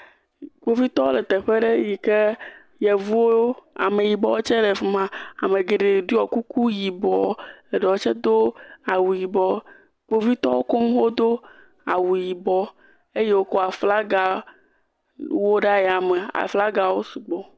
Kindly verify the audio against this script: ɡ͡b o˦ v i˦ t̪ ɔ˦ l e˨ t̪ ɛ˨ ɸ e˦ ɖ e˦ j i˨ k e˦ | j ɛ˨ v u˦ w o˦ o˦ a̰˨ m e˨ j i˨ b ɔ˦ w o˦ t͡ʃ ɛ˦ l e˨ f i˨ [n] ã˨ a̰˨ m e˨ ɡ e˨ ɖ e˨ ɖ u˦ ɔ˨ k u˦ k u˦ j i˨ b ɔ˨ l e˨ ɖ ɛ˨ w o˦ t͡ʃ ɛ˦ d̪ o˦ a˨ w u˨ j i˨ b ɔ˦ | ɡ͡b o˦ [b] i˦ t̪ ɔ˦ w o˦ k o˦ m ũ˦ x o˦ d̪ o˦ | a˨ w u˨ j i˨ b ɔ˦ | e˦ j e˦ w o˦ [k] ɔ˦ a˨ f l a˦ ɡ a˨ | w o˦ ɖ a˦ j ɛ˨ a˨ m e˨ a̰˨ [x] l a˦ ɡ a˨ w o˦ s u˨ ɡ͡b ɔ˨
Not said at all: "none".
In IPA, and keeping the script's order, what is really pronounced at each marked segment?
m, v, k, f

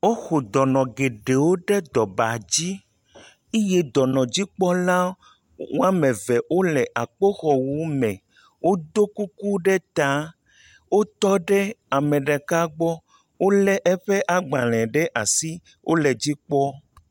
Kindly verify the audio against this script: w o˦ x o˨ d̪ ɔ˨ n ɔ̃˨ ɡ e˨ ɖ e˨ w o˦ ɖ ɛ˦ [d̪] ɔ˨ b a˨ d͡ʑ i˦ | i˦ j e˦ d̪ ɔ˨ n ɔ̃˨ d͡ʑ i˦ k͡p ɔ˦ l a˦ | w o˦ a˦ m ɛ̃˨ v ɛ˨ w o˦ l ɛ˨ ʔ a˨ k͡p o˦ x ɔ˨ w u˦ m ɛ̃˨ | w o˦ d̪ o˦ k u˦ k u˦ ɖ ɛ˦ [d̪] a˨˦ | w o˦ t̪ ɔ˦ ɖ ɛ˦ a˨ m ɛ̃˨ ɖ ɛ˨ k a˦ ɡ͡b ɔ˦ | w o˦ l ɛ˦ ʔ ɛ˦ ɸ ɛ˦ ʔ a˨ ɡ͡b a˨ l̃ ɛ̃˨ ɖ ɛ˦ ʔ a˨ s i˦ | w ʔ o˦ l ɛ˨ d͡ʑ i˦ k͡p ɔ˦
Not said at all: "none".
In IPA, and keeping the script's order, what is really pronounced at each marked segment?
d̪, t̪

